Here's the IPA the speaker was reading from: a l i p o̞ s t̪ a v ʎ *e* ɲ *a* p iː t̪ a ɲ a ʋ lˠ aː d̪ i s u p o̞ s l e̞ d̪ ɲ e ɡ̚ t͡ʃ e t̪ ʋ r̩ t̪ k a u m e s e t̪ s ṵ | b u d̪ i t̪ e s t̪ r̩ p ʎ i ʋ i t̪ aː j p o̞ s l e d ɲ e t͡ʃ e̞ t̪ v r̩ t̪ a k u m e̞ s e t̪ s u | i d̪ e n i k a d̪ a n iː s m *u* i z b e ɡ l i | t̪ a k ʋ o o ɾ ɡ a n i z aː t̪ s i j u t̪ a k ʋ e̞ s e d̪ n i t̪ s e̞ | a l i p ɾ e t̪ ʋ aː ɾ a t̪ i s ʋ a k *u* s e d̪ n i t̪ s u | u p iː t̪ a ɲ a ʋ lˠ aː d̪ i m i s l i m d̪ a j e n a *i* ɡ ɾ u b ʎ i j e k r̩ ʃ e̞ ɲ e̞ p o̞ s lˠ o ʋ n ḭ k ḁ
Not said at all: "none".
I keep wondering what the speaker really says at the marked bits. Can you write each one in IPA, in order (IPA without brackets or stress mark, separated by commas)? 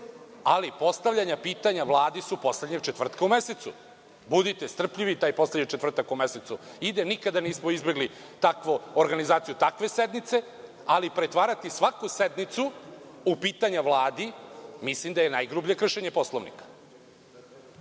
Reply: a, a, o, u, j